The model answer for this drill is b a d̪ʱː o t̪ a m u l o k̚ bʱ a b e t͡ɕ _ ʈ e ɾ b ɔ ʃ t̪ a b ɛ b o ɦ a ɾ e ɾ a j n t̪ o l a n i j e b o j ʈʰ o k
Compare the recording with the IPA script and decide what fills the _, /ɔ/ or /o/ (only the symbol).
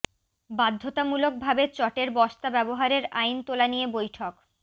ɔ